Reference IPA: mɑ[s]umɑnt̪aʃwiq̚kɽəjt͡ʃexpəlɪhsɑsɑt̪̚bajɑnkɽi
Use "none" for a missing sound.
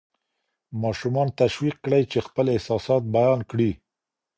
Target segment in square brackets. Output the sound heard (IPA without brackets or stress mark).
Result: ʃ